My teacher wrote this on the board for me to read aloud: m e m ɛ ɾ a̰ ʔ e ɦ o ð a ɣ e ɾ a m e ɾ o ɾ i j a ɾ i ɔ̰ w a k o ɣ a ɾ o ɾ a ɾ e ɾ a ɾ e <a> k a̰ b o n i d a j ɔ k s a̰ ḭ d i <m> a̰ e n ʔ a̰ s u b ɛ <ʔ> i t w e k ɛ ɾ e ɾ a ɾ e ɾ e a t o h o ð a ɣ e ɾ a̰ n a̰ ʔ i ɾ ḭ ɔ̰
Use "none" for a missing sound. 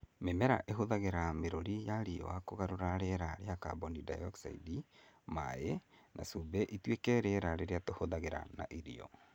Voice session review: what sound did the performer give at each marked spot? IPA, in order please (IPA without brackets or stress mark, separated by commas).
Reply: a, m, ʔ